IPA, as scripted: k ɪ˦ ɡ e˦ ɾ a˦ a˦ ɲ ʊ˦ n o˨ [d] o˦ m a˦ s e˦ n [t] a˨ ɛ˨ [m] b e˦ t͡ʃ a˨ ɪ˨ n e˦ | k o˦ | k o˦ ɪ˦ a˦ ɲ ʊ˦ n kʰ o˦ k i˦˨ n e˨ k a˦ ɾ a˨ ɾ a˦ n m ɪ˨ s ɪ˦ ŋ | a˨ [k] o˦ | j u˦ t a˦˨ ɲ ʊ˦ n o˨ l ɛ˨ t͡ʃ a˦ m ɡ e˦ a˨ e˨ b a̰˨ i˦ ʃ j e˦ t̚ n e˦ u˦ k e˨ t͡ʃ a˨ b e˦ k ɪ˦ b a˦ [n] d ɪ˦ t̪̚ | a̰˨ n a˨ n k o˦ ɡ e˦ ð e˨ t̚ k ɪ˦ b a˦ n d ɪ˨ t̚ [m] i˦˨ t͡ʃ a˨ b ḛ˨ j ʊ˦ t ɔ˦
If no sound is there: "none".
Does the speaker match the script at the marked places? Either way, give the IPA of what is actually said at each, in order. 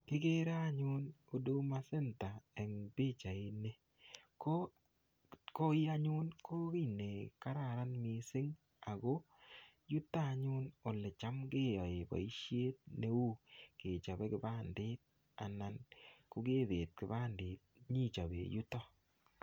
d, t, ŋ, ɡ, n, ɲ

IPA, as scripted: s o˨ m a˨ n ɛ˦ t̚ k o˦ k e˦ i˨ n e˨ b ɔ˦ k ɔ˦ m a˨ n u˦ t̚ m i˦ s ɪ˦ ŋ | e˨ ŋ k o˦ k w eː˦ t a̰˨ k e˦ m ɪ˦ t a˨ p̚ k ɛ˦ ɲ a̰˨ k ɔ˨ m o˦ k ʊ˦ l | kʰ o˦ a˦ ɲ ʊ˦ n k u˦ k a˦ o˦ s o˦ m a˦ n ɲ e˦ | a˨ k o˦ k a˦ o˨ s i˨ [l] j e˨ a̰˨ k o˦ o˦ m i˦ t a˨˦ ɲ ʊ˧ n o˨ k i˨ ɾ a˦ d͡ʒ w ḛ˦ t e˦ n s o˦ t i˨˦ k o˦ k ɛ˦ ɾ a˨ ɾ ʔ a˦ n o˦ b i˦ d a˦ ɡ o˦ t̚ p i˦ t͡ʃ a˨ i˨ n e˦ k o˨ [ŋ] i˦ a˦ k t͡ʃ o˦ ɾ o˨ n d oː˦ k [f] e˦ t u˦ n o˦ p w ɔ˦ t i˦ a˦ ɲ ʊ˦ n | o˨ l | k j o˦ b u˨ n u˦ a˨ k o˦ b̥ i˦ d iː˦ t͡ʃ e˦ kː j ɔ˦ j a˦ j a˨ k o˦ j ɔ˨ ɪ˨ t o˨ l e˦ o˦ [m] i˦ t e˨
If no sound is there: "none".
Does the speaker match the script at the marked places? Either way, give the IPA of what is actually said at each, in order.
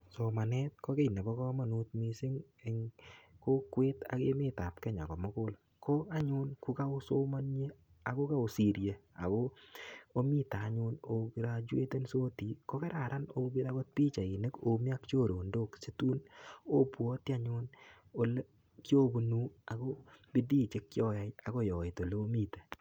ɾ, m, s, m

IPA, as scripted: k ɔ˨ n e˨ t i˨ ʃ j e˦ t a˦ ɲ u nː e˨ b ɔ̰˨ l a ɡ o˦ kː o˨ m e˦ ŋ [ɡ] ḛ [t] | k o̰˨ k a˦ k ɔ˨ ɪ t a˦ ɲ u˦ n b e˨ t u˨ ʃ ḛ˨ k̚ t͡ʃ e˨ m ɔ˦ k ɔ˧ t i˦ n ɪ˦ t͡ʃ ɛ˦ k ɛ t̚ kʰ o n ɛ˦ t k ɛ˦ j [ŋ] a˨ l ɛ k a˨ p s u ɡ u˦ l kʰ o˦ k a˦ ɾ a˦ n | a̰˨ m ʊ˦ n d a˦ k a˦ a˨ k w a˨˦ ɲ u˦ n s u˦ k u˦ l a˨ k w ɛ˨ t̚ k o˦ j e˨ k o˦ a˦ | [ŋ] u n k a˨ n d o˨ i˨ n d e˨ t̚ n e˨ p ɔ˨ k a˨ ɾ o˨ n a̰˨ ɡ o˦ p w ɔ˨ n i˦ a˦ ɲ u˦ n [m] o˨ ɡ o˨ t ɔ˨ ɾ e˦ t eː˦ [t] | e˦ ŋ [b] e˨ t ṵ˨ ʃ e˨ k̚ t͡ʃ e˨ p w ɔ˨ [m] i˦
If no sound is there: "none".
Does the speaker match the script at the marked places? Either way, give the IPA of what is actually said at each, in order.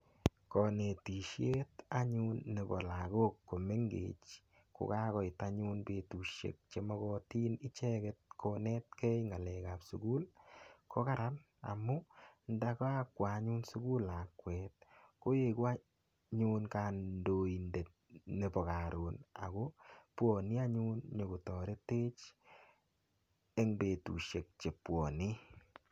ɡ, t͡ʃ, ŋ, ɲ, ɲ, t͡ʃ, b, n

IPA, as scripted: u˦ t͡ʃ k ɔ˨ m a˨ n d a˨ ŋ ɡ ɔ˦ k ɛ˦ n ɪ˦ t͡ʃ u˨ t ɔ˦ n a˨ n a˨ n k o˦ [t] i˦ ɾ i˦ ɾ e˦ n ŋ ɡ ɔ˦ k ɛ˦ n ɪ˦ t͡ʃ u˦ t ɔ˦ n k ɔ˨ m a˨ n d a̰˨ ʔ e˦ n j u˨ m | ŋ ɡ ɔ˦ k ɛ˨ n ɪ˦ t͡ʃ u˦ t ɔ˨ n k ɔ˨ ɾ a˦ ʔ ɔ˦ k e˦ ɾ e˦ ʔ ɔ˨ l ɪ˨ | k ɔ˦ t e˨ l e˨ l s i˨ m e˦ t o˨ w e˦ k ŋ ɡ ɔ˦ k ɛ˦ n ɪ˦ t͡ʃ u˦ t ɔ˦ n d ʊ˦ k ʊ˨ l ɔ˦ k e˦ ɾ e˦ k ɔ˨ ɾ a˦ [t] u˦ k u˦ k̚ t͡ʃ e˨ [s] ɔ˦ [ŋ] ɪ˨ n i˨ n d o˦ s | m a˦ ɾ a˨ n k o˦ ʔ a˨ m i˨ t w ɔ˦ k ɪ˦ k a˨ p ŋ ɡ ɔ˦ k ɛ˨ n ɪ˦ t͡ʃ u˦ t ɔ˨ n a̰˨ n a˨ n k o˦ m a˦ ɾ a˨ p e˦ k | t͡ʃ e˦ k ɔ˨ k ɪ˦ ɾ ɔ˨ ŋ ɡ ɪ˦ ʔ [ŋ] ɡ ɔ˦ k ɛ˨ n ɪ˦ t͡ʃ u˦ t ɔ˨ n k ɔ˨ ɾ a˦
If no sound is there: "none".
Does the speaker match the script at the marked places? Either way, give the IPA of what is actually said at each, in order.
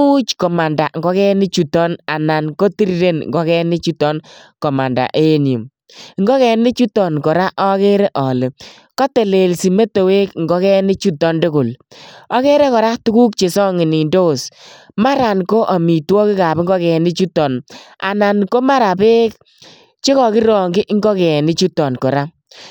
t, t, s, ŋ, ŋ

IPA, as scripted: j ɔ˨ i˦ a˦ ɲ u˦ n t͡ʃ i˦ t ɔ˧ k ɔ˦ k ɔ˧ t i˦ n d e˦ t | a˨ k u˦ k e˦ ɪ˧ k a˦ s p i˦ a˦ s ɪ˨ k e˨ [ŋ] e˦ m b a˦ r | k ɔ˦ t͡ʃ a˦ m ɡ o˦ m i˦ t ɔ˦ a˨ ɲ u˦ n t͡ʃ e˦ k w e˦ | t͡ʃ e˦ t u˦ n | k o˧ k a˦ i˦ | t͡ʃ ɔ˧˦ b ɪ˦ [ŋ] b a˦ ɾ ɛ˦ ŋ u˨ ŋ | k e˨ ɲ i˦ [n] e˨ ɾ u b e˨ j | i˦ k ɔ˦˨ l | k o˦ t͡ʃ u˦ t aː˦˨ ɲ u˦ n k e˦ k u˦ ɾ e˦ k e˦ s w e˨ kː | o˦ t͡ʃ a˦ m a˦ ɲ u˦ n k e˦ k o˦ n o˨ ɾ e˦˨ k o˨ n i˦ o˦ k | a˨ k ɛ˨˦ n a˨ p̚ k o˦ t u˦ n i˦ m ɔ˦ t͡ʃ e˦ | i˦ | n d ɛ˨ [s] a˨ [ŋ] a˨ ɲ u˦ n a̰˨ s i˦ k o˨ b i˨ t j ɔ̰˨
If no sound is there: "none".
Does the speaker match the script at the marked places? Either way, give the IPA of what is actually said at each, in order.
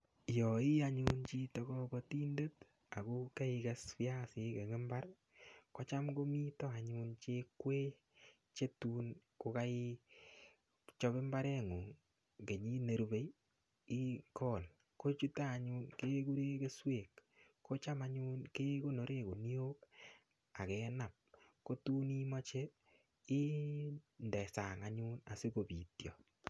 ŋ, m, n, s, ŋ

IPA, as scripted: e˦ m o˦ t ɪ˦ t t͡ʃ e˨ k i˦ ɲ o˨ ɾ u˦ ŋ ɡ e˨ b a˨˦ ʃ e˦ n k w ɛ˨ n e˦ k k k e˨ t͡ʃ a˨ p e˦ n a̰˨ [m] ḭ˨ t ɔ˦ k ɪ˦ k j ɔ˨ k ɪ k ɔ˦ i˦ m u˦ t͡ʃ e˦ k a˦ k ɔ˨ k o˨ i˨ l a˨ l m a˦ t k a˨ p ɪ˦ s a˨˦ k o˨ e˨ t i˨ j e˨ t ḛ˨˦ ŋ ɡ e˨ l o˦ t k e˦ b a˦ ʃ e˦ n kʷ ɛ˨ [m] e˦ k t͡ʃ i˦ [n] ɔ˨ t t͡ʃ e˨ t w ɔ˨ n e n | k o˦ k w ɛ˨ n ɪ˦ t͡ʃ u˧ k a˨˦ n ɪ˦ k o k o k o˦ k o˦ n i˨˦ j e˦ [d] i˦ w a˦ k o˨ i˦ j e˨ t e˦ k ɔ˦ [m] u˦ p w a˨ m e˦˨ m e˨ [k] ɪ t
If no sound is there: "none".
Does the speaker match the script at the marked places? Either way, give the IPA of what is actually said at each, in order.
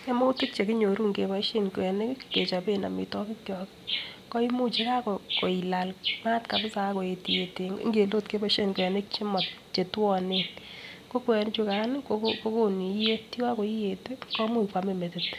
m, n, m, t, m, t

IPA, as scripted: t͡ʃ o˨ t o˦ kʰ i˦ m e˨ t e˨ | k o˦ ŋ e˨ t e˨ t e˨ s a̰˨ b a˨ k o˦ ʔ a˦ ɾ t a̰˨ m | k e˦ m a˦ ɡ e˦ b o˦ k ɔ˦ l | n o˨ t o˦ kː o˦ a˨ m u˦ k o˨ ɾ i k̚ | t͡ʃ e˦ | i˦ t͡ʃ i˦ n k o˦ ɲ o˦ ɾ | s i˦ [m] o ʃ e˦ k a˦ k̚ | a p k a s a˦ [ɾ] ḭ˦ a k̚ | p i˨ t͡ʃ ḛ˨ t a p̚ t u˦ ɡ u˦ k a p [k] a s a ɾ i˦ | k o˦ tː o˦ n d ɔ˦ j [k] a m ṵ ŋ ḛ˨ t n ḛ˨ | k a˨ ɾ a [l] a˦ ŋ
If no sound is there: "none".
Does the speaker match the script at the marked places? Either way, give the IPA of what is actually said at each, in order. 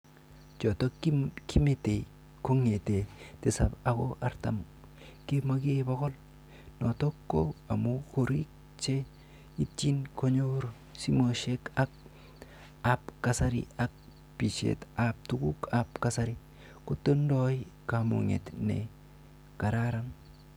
m, ɾ, k, k, ɾ

